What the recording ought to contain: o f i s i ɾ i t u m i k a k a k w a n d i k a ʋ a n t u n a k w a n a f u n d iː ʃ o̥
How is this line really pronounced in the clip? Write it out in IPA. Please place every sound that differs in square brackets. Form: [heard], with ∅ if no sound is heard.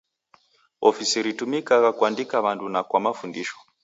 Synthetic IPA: o f i s i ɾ i t u m i k a k a k w a n d i k a ʋ a n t u n a k w a [m] a f u n d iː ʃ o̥